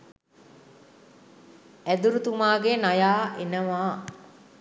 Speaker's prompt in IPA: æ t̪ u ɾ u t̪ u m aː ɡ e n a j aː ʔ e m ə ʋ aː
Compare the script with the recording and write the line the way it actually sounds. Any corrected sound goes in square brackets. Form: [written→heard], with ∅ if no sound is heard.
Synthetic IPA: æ [t̪→d̪] u ɾ u t̪ u m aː ɡ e n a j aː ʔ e [m→n] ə ʋ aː